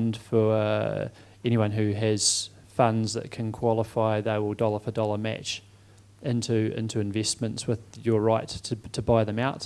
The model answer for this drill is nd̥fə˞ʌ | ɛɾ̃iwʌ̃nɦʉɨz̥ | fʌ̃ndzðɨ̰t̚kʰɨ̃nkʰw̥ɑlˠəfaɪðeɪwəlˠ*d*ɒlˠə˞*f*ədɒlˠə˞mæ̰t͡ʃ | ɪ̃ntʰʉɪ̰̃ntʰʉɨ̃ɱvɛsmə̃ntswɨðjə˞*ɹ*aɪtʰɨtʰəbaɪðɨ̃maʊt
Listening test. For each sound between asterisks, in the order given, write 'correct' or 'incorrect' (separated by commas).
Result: correct, correct, correct